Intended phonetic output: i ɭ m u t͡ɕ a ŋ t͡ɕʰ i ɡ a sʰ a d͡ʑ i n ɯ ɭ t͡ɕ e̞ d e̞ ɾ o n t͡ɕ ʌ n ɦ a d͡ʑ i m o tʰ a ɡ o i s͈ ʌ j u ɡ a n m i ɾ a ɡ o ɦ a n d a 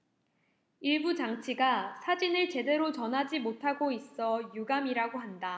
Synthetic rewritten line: i ɭ b u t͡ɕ a ŋ t͡ɕʰ i ɡ a sʰ a d͡ʑ i n ɯ ɭ t͡ɕ e̞ d e̞ ɾ o t͡ɕ ʌ n ɦ a d͡ʑ i m o tʰ a ɡ o i s͈ ʌ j u ɡ a m i ɾ a ɡ o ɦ a n d a